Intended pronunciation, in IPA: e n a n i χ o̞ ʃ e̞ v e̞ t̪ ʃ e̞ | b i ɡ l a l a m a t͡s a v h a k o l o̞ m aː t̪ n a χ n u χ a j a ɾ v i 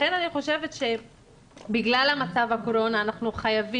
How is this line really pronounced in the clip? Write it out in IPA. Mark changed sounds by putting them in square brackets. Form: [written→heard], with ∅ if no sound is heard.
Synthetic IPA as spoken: e n a n i χ o̞ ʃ e̞ v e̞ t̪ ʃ e̞ | b i ɡ l a l a m a t͡s a v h a k o [l→ɾ] o̞ [m→n] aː [t̪→∅] n a χ n u χ a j a [ɾ→∅] v i